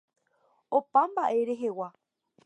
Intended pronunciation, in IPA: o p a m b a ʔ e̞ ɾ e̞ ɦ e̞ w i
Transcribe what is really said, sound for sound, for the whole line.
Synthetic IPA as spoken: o p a m b a ʔ e̞ ɾ e̞ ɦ e̞ w a